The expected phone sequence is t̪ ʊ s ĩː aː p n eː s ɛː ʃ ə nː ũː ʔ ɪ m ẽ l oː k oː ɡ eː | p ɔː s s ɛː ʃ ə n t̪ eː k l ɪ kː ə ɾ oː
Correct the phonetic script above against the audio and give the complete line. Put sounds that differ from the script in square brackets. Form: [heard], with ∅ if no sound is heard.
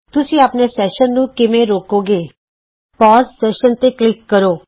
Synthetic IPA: t̪ ʊ s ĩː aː p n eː s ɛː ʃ ə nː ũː [k] ɪ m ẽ [ɾ] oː k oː ɡ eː | p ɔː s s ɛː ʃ ə n t̪ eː k l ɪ kː ə ɾ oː